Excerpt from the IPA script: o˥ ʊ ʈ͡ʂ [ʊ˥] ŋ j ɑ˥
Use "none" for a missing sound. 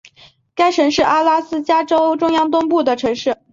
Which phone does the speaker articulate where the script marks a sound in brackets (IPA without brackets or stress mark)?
ʊ˥